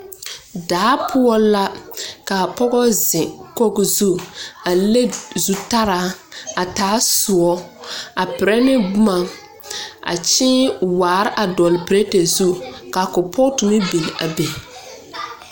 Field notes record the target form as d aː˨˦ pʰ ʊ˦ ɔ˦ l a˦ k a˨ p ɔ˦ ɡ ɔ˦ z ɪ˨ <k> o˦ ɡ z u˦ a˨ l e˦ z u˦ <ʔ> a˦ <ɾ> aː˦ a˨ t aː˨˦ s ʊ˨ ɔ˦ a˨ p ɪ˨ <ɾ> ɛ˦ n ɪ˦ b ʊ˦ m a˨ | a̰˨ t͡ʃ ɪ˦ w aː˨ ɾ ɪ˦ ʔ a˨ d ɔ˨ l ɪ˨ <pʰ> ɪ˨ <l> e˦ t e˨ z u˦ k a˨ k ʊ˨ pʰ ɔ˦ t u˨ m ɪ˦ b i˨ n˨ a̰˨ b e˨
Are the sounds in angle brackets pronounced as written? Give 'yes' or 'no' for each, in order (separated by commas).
yes, no, yes, yes, no, no